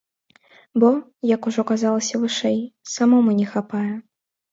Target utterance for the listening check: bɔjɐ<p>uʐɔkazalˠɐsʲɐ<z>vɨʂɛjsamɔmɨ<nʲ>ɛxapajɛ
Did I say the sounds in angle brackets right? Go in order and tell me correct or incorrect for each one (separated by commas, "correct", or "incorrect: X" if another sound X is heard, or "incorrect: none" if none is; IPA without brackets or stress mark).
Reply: incorrect: k, incorrect: none, correct